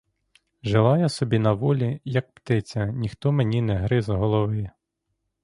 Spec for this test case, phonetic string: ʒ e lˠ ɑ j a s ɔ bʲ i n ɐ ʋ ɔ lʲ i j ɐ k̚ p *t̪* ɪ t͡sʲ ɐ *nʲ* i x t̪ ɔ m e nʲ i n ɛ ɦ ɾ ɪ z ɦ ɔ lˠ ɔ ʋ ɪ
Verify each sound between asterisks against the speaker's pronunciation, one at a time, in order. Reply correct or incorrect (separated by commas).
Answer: correct, correct